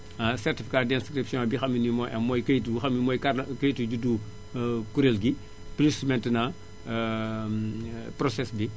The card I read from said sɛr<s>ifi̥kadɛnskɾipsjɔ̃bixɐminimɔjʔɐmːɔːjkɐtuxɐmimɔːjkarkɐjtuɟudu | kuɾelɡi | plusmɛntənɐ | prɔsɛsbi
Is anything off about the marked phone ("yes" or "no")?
yes